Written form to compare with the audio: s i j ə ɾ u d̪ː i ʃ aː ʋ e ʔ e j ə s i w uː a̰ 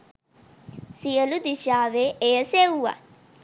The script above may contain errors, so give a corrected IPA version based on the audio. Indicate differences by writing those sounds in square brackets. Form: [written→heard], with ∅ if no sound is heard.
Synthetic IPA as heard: s i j ə [ɾ→l] u [d̪ː→d̪] i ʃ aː ʋ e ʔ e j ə s [i→e] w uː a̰